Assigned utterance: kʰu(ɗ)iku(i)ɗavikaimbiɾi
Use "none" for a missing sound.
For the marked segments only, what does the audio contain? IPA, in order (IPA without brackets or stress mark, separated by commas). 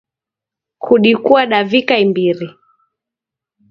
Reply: ɗ, a